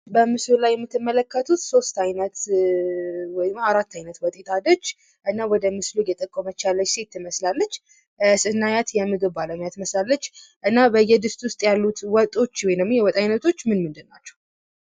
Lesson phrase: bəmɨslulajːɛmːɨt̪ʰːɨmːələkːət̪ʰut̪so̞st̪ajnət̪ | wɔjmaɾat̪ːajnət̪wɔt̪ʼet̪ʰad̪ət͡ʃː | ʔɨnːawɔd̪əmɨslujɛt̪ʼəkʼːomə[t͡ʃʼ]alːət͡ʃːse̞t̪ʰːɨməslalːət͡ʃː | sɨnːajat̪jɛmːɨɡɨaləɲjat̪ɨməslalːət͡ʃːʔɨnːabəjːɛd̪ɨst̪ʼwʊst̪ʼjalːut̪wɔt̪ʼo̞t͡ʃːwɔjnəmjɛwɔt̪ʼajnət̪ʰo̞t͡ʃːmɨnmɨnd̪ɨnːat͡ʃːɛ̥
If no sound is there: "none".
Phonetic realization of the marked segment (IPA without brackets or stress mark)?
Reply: t͡ʃ